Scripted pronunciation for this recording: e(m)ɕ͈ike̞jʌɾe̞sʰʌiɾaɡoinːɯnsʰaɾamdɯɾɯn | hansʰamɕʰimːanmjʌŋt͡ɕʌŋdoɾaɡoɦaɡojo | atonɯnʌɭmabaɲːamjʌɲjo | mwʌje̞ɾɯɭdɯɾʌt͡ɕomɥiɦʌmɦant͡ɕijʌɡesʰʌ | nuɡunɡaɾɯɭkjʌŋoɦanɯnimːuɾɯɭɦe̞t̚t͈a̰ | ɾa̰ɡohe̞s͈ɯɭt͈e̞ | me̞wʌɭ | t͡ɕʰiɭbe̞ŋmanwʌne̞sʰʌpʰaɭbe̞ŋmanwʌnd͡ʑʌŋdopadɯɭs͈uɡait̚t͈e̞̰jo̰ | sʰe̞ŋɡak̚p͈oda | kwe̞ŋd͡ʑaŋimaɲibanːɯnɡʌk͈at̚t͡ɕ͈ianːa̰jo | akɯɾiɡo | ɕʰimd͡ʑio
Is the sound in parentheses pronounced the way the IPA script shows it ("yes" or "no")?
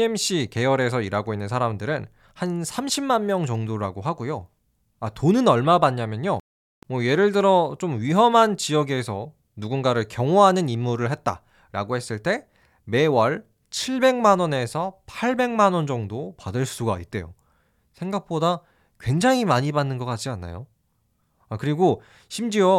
yes